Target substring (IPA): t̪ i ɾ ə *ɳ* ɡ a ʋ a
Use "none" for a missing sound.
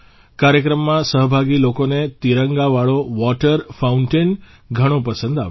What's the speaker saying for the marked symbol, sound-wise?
ŋ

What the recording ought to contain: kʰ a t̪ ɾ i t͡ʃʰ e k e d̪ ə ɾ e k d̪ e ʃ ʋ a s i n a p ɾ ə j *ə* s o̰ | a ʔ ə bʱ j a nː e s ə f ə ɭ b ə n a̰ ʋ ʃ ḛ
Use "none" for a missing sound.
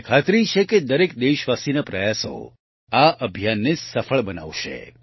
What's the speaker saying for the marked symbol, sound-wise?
a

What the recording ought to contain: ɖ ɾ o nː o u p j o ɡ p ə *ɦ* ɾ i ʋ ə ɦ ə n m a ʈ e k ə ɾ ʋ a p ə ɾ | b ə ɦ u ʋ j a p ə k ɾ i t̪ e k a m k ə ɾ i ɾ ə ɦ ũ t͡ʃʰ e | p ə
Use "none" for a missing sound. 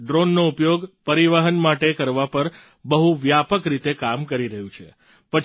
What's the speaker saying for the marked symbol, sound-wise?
none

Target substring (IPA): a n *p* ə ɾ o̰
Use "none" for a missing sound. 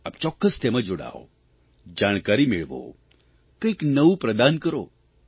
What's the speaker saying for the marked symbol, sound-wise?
k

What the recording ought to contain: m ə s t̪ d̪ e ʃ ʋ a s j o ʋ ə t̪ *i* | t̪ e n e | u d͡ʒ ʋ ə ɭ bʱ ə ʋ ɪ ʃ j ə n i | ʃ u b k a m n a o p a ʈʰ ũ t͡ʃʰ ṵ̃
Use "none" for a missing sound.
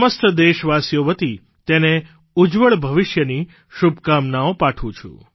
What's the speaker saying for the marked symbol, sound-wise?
i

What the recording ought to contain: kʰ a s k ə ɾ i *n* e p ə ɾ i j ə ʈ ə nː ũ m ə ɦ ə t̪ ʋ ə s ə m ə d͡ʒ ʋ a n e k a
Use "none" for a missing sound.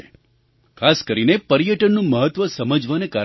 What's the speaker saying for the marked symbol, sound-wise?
n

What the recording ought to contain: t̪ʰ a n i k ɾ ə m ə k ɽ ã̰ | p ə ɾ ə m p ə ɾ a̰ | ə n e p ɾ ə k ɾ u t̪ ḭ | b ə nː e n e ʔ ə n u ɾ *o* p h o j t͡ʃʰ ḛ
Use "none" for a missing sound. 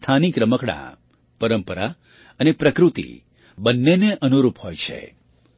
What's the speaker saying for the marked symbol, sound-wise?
u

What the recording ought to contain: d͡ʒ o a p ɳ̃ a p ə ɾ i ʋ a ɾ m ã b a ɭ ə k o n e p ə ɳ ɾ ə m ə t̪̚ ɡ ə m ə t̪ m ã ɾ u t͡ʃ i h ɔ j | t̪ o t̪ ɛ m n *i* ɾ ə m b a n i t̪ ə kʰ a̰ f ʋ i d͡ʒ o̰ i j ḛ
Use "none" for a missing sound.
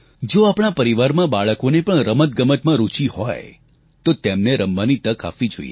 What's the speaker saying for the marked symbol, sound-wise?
e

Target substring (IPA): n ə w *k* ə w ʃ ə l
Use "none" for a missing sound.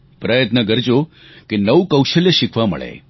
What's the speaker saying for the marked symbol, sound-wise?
k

